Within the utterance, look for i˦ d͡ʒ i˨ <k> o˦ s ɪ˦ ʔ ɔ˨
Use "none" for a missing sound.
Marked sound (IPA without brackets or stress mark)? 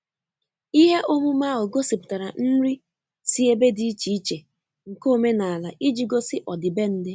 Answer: ɡ